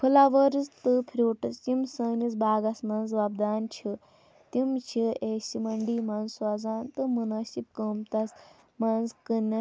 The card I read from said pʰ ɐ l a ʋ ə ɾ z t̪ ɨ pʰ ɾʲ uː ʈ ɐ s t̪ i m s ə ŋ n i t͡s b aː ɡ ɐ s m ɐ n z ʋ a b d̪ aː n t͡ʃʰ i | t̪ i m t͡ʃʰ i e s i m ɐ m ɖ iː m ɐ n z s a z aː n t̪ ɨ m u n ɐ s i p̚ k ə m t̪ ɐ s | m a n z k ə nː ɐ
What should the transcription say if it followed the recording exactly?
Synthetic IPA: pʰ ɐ l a ʋ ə ɾ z t̪ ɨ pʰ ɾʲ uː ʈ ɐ s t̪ i m s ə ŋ n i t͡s b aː ɡ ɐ s m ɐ n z ʋ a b d̪ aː n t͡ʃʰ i | t̪ i m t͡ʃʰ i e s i m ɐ ɳ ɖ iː m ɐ n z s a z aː n t̪ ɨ m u n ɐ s i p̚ k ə m t̪ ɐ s | m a n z k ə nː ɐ